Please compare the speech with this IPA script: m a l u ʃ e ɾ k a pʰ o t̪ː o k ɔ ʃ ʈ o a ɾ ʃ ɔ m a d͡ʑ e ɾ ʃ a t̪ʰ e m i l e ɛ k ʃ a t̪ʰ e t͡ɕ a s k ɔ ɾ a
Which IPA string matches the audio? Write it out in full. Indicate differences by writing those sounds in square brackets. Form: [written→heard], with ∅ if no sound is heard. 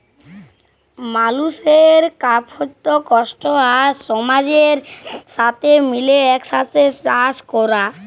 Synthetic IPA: m a l u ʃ e ɾ k a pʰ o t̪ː o k ɔ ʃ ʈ o a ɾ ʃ ɔ m a d͡ʑ e ɾ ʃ a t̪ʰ e m i l e ɛ k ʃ a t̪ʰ e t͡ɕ a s k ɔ ɾ a